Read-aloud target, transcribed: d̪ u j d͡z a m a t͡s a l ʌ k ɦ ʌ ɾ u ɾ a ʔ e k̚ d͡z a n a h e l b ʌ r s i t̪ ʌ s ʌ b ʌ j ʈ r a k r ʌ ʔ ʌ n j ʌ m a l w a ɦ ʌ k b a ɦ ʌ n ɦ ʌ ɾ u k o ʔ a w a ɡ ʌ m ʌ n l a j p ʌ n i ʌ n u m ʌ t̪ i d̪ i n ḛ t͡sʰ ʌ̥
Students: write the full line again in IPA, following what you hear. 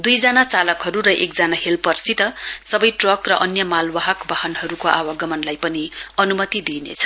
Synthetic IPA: d̪ u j d͡z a n a t͡s a l ʌ k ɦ ʌ ɾ u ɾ ʌ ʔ e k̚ d͡z a n a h e l p ʌ r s i t̪ ʌ s ʌ b ʌ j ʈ r ʌ k r ʌ ʔ ʌ n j ʌ m a l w a ɦ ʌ k b a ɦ ʌ n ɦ ʌ ɾ u k o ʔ a w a ɡ ʌ m ʌ n l a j p ʌ n i ʌ n u m ʌ t̪ i d̪ i n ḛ t͡sʰ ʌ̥

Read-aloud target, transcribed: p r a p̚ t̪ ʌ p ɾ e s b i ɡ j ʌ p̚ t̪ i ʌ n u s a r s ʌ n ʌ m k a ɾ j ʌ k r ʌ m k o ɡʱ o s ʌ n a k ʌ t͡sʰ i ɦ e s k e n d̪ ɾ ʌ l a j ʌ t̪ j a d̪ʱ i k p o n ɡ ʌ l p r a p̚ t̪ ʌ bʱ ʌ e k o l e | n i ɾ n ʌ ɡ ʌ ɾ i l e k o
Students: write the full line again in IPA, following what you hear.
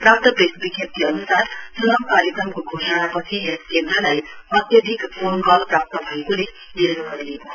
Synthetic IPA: p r a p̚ t̪ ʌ p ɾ e s b i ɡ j ʌ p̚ t̪ i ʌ n u s a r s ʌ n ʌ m k a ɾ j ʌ k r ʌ m k o ɡʱ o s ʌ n a p ʌ t͡sʰ i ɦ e s k e n d̪ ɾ ʌ l a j ʌ t̪ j ʌ d̪ʱ i k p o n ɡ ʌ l p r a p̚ t̪ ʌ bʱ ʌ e k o l e | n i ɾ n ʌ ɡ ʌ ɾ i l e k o

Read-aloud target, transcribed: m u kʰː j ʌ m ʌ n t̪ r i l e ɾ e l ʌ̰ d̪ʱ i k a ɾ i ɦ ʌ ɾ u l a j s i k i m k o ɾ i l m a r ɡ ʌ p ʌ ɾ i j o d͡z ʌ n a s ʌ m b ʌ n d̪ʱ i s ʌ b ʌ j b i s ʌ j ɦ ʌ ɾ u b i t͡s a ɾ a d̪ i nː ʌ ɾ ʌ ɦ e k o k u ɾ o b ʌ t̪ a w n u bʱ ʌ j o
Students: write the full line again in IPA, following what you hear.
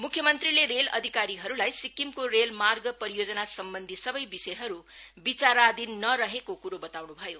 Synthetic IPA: m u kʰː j ʌ m ʌ n t̪ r i l e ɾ e l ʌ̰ d̪ʱ i k a ɾ i ɦ ʌ ɾ u l a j s i k i m k o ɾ e l m a r ɡ ʌ p ʌ ɾ i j o d͡z ʌ n a s ʌ m b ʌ n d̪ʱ i s ʌ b ʌ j b i s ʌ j ɦ ʌ ɾ u b i t͡s a ɾ a d̪ i nː ʌ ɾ ʌ ɦ e k o k u ɾ o b ʌ t̪ a w n u bʱ ʌ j o

